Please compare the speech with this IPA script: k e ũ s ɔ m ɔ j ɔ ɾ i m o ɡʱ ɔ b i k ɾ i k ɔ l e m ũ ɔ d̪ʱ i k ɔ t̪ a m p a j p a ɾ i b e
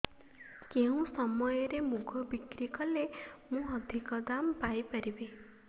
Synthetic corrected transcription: k e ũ s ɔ m ɔ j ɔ ɾ e m u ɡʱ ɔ b i k ɾ i k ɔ l e m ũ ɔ d̪ʱ i k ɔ d̪ a m p a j p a ɾ i b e